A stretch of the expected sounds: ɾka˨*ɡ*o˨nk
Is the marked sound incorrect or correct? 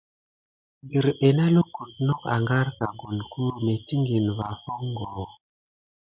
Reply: correct